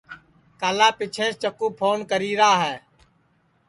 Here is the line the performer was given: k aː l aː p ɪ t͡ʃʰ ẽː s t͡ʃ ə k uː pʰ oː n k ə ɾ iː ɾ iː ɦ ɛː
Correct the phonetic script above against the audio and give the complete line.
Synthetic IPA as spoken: k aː l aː p ɪ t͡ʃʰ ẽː s t͡ʃ ə k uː pʰ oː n k ə ɾ iː ɾ aː ɦ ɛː